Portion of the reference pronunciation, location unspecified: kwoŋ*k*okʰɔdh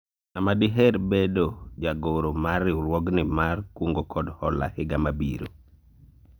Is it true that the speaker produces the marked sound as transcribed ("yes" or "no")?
no